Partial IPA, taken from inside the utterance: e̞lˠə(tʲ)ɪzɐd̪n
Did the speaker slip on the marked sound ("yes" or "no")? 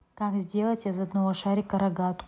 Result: no